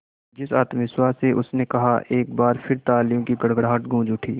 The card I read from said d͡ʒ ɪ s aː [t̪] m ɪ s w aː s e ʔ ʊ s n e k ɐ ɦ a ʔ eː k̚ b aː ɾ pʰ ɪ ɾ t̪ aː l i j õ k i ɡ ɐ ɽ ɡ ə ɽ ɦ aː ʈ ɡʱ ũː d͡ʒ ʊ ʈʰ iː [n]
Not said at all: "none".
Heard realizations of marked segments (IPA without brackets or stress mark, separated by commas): t̪, none